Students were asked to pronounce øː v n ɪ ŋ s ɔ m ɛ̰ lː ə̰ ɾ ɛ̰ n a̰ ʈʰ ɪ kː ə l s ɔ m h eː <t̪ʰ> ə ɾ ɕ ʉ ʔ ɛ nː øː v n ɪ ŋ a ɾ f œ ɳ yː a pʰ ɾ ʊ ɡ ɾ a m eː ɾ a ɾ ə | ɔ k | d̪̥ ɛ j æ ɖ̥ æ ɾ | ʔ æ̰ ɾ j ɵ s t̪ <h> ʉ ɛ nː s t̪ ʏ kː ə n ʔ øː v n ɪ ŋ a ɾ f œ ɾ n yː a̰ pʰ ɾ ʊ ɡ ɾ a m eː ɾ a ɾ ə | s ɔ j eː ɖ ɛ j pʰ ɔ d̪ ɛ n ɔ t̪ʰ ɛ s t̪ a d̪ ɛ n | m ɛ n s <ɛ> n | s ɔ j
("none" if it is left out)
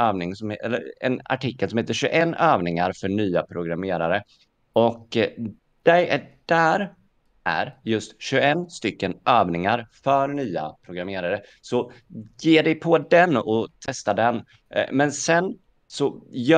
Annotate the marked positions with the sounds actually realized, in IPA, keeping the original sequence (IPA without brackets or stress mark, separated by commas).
t̪, ɕ, ɛ